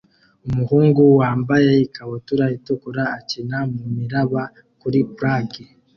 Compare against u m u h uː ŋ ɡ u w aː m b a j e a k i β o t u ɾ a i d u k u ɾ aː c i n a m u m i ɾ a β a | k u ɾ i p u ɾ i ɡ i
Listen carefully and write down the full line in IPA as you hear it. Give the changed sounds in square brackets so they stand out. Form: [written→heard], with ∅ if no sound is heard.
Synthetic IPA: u m u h uː ŋ ɡ u w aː m b a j e [a→i] k [i→a] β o t u ɾ a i [d→t] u k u ɾ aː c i n a m u m i ɾ a β a | k u ɾ i p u ɾ [i→a] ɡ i